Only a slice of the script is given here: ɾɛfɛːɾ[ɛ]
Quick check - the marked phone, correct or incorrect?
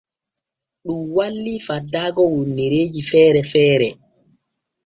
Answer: correct